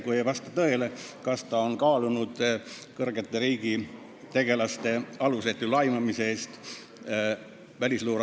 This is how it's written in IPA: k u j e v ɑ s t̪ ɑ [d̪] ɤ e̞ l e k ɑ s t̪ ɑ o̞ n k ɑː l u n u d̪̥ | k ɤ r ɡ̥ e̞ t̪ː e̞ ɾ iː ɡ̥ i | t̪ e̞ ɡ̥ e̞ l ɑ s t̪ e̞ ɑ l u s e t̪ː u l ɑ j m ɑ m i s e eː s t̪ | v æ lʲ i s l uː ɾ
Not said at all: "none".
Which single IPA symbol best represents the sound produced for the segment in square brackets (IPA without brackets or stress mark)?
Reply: t̪